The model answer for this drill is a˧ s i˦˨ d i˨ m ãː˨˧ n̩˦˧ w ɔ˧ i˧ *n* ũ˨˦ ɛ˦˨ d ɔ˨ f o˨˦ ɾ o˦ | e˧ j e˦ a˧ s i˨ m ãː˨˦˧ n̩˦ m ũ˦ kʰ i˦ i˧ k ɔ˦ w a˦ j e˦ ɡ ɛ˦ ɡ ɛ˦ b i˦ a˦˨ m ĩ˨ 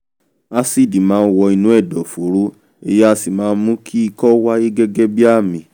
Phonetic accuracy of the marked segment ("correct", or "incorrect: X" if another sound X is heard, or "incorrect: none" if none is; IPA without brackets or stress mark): correct